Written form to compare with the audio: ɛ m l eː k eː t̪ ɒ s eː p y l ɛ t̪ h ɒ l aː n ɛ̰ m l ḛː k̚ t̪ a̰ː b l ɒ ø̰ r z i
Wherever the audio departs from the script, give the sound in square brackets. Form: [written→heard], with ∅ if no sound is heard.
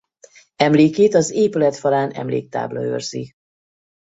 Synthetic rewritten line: ɛ m l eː k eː t̪ ɒ [s→z] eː p y l ɛ t̪ [h→f] ɒ l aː n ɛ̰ m l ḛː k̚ t̪ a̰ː b l ɒ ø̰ r z i